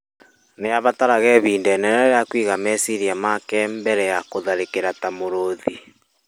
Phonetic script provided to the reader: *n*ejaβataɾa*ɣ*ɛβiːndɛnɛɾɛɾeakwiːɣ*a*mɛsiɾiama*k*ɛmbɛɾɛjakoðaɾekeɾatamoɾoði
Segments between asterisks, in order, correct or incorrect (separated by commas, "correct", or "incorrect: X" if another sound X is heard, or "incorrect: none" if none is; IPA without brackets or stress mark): correct, correct, correct, correct